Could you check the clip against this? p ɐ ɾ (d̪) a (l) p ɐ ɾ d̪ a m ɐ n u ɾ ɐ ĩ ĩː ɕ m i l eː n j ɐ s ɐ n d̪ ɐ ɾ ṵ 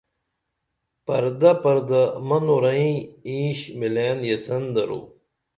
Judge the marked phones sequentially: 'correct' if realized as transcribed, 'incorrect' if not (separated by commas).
correct, incorrect